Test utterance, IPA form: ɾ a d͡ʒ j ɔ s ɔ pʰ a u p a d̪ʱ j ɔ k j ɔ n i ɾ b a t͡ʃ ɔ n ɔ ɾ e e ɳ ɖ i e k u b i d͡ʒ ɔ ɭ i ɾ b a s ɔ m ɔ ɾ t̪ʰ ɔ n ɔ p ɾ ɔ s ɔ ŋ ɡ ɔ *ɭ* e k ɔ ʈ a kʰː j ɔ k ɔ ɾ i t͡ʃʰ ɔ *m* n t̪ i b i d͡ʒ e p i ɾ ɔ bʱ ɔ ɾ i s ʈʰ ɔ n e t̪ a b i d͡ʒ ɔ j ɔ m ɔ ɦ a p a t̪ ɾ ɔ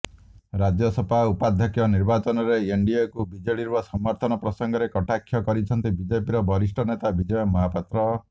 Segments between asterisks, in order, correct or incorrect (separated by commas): incorrect, incorrect